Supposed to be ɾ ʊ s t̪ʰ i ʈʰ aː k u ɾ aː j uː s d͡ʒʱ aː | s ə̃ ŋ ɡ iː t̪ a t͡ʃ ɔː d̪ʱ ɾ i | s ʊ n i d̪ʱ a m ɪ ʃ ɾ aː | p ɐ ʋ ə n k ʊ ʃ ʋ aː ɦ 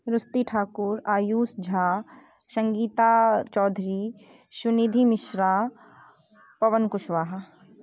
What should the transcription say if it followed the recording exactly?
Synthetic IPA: ɾ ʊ s t̪ i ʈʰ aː k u ɾ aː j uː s d͡ʒʱ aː | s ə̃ ŋ ɡ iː t̪ a t͡ʃ ɔː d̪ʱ ɾ i | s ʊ n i d̪ʱ i m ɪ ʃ ɾ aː | p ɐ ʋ ə n k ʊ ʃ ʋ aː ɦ